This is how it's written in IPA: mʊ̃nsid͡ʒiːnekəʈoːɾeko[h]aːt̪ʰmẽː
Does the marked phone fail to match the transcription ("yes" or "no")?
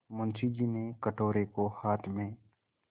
no